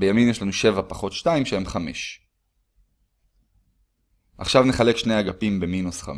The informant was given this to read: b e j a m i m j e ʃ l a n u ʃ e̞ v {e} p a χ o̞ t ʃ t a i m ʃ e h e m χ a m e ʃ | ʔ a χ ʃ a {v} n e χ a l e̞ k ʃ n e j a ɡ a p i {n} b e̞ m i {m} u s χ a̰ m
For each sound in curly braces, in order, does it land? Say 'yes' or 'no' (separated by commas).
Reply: no, yes, no, no